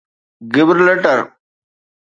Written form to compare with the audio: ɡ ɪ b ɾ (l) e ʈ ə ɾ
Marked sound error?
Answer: no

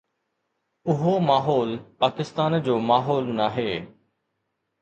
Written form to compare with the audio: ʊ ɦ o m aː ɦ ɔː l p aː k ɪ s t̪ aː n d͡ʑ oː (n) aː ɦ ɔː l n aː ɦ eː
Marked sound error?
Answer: yes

